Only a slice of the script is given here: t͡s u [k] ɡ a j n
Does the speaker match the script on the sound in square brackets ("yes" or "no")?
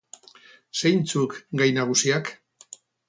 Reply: yes